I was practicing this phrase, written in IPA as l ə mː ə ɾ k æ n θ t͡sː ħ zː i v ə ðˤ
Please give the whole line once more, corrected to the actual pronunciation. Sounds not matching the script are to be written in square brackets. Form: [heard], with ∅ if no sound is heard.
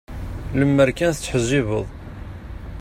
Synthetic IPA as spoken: l ə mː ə ɾ k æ n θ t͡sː ħ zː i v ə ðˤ